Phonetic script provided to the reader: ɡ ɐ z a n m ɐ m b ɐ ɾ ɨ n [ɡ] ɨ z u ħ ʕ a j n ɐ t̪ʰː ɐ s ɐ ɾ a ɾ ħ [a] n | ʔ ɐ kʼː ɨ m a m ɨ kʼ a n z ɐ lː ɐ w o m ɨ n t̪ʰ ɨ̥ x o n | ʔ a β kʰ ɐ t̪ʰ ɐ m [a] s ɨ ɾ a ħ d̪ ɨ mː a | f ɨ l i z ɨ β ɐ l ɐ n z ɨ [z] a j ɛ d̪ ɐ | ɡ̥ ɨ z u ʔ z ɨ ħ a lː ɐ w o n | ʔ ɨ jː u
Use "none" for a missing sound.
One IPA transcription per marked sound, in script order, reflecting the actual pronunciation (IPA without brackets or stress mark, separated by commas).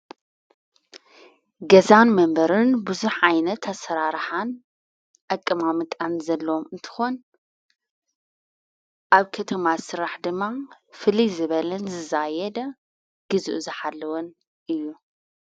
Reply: b, a, a, z